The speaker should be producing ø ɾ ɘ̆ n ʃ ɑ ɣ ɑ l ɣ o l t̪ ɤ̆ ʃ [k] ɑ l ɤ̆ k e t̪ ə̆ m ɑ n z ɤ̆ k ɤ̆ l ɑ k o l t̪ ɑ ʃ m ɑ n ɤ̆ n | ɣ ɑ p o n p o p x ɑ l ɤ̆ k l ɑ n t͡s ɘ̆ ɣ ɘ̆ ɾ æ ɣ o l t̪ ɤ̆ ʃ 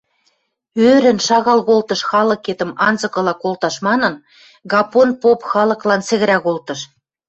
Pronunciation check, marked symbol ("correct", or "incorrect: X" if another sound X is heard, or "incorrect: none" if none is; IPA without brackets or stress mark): incorrect: x